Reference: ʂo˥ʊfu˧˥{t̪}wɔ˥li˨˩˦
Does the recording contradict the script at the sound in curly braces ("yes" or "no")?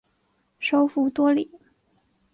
no